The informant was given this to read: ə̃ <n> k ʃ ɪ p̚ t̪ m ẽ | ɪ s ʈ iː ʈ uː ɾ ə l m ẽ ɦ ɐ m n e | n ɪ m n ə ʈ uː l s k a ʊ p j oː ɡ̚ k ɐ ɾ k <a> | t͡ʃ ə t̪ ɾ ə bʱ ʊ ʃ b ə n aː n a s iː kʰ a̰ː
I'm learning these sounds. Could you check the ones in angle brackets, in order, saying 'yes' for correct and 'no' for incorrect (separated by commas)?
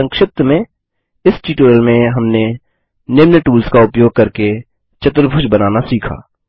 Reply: no, no